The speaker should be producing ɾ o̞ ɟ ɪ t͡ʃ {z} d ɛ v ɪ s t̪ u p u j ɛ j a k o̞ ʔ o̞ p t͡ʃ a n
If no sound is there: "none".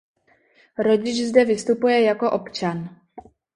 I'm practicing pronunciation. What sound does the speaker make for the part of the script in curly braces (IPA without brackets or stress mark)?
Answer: z